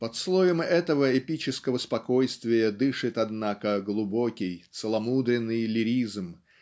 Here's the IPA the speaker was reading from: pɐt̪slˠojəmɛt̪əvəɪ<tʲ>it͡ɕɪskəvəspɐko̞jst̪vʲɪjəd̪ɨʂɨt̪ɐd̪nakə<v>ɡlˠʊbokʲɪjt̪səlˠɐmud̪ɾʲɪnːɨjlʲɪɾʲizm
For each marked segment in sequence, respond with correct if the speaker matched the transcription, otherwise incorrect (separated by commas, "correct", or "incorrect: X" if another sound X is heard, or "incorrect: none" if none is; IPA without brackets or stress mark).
incorrect: pʲ, incorrect: none